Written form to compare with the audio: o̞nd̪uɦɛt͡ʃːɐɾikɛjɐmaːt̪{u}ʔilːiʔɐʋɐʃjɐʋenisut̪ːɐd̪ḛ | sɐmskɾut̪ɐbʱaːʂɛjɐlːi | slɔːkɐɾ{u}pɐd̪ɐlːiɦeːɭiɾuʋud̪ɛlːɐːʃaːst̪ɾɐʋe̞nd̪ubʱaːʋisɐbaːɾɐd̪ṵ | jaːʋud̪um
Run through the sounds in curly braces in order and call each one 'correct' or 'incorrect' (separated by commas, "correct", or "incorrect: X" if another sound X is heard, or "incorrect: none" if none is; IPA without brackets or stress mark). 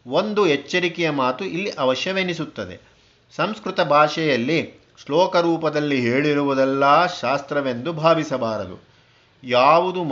correct, incorrect: uː